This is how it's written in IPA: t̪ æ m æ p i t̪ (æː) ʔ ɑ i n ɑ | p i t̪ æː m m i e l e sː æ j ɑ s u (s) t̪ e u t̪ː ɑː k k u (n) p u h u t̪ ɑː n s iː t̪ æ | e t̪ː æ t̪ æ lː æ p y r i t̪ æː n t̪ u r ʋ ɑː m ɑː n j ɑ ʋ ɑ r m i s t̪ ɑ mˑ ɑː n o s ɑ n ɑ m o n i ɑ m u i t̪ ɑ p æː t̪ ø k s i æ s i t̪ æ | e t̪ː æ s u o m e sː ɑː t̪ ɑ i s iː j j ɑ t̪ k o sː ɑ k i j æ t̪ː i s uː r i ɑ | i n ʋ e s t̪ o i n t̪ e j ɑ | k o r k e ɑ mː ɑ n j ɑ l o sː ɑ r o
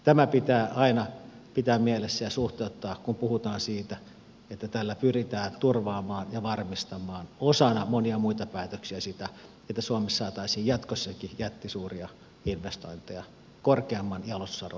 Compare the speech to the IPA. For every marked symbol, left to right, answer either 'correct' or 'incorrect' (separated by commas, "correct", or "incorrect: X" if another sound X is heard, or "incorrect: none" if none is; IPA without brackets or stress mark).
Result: correct, incorrect: h, incorrect: m